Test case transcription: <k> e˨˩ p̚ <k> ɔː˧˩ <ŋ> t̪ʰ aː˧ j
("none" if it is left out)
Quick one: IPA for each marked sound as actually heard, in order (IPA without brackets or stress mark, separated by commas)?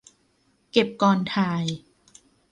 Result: k, k, n